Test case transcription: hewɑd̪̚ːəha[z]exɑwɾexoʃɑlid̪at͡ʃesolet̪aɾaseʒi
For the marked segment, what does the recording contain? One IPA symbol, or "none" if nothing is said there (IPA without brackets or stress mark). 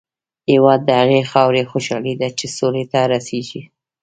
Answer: ɣ